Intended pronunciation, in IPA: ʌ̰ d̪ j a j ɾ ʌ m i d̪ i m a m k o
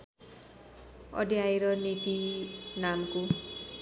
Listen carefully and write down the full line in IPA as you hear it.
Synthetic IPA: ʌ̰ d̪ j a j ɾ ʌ n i t̪ i n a m k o